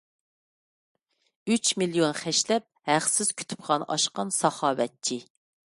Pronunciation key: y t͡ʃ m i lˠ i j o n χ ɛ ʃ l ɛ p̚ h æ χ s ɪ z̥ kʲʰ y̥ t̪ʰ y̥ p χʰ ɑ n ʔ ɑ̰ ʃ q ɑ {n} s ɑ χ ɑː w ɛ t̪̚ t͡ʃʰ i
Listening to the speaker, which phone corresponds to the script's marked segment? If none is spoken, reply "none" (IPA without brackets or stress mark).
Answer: n